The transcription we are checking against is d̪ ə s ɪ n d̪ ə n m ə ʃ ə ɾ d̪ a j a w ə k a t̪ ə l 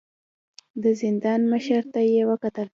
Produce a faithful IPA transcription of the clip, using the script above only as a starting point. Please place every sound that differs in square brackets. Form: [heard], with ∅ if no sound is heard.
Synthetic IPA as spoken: d̪ ə [z] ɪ n d̪ [ɑ] n m ə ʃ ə ɾ [t̪] a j [e] w ə k a t̪ ə l